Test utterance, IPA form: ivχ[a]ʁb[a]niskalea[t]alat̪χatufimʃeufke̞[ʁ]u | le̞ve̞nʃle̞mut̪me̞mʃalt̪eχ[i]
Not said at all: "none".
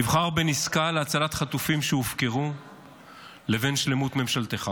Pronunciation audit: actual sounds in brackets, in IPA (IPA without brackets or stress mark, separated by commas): a, e, t͡s, ʁ, a